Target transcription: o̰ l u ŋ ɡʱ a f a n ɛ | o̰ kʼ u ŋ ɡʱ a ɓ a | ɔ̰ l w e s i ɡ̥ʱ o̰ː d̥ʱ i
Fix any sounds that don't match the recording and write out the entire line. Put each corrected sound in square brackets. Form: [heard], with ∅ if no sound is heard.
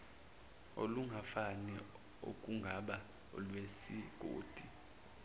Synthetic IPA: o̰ l u ŋ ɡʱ a f a n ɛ | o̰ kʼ u ŋ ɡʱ a ɓ a | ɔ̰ l w e s i ɡ̥ʱ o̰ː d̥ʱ i